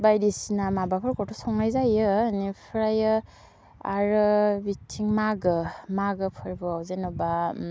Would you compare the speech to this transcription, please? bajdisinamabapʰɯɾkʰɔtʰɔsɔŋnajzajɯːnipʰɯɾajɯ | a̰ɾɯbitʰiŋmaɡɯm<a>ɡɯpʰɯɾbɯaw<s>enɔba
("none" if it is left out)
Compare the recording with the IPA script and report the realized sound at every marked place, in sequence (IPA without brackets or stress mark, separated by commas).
a, z